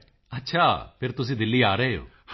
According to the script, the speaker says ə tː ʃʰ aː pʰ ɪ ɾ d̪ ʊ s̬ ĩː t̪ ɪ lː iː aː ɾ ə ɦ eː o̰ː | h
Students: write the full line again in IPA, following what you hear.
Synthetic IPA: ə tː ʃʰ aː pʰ ɪ ɾ t̪ ʊ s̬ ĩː d̪ ɪ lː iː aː ɾ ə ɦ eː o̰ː | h